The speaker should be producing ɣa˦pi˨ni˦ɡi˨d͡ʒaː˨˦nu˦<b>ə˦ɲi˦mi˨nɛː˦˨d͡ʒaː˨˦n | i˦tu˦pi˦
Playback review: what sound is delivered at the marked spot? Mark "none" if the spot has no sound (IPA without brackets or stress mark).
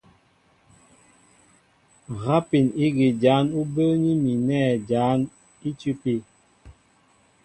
b